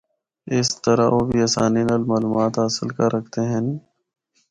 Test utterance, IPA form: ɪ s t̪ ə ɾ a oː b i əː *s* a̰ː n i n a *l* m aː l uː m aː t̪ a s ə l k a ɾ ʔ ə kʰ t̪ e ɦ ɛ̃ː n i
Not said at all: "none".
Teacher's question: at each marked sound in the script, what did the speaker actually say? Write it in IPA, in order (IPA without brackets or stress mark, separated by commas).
s, l